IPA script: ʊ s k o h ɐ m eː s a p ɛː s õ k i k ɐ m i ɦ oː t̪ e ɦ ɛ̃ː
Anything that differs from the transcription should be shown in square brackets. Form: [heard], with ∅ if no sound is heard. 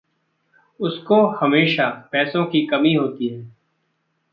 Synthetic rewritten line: ʊ s k o h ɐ m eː [ʃ] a p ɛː s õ k i k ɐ m i ɦ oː t̪ [i] ɦ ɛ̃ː